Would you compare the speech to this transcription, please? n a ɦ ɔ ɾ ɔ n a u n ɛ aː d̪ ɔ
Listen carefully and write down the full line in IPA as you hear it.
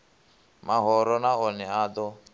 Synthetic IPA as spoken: m a ɦ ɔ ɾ ɔ n a ɔ n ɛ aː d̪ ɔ